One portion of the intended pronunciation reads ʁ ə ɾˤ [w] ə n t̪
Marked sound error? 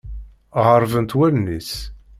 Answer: yes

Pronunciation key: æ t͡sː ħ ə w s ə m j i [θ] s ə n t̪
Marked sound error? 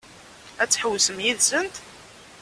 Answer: yes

